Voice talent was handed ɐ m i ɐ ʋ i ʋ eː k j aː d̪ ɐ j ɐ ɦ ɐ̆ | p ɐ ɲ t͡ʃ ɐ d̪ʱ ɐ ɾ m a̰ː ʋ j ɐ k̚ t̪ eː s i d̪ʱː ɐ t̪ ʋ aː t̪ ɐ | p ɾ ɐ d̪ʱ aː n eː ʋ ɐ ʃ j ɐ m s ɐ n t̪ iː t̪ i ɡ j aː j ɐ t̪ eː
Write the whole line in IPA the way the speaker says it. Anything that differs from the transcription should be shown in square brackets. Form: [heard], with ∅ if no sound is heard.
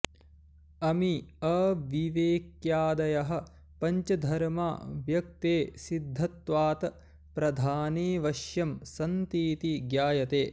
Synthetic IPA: ɐ m i ɐ ʋ i ʋ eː k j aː d̪ ɐ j ɐ ɦ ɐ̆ | p ɐ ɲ t͡ʃ ɐ d̪ʱ ɐ ɾ m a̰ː ʋ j ɐ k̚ t̪ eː s i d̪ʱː ɐ t̪ ʋ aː t̪ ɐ | p ɾ ɐ d̪ʱ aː n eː ʋ ɐ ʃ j ɐ m s ɐ n t̪ iː t̪ i ɡ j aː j ɐ t̪ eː